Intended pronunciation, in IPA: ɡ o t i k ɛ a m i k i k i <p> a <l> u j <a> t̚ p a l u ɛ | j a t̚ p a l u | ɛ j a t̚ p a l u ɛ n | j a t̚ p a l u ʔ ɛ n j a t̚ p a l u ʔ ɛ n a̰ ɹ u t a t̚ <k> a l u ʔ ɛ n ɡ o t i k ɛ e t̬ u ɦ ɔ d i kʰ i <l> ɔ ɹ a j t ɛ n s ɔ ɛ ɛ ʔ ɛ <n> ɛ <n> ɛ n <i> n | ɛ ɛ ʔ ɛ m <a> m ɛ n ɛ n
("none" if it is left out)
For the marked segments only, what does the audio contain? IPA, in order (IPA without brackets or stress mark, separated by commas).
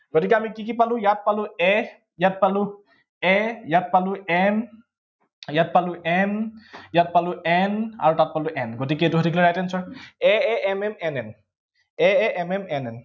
p, l, a, p, l, m, m, ɛ, ɛ